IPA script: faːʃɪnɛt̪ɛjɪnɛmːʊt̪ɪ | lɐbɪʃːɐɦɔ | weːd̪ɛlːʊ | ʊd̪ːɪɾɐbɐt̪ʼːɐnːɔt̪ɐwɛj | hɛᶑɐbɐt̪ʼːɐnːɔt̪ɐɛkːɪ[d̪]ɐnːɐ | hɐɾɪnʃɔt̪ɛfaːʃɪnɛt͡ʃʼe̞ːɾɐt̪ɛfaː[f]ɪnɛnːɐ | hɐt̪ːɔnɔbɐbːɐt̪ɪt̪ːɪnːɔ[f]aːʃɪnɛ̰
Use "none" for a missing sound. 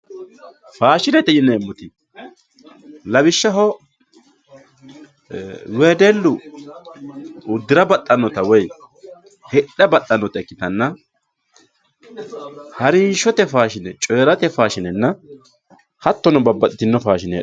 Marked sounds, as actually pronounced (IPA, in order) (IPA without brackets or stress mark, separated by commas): t̪, ʃ, f